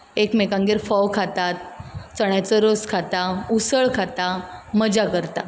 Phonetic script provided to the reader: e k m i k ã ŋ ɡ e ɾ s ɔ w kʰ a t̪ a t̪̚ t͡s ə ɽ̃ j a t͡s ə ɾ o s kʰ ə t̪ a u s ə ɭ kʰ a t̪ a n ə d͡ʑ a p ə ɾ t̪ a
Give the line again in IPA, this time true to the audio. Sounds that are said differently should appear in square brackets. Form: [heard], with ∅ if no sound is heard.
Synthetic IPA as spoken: e k m [e] k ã ŋ ɡ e ɾ [f] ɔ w kʰ a t̪ a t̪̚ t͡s ə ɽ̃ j a t͡s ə ɾ o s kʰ [a] t̪ a u s ə ɭ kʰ a t̪ a [m] ə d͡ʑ a [k] ə ɾ t̪ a